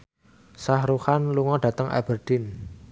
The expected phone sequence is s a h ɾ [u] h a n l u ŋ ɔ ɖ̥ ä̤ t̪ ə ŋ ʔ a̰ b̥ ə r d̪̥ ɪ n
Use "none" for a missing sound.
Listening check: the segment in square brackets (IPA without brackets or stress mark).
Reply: u